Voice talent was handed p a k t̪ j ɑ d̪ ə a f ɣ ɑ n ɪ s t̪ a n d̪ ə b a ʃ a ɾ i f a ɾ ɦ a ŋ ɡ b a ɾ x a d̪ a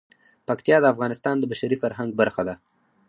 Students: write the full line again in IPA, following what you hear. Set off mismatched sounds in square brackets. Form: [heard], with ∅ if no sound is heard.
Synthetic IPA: p a k t̪ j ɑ d̪ ə a f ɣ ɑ n ɪ s t̪ [ɑ] n d̪ ə b a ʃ a ɾ i f a ɾ ɦ a ŋ ɡ b a ɾ x a d̪ a